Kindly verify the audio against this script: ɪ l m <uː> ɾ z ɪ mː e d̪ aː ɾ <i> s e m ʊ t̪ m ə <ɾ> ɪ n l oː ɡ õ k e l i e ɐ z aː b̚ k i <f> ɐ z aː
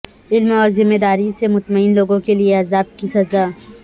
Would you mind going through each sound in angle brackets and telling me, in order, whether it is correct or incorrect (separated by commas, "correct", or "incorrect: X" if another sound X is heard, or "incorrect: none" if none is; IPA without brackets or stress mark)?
incorrect: ɔː, correct, incorrect: none, incorrect: s